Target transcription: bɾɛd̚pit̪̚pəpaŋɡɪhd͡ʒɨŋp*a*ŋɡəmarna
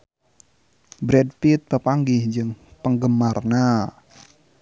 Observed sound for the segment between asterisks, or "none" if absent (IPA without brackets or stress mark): ə